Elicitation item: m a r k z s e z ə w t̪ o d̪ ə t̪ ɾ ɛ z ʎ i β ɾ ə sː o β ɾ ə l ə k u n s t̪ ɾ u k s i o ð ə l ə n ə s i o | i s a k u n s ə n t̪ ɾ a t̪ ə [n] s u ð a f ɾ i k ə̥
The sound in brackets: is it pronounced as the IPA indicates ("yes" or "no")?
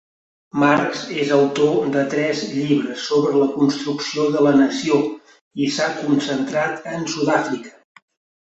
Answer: yes